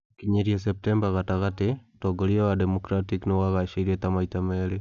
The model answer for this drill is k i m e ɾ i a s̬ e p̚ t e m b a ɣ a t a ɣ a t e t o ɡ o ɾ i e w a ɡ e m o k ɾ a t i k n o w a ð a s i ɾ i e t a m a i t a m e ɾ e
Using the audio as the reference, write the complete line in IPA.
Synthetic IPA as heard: k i ɲ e ɾ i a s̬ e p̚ t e m b a ɣ a t a ɣ a t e t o ɡ o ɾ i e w a d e m o k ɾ a t i k n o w a ɣ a ʃ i ɾ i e t a m a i t a m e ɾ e